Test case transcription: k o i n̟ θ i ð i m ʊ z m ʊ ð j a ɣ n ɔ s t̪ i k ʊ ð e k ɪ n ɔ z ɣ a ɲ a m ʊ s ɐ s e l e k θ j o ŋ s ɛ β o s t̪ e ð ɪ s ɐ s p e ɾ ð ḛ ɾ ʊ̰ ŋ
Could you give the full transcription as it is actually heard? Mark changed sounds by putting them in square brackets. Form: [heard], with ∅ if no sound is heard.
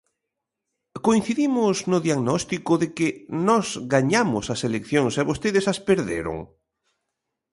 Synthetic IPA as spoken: k o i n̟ θ i ð i m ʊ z [n] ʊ ð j a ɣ n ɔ s t̪ i k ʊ ð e k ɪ n ɔ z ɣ a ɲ a m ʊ s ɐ s e l e k θ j o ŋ s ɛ β o s t̪ e ð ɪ s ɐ s p e ɾ ð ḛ ɾ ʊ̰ ŋ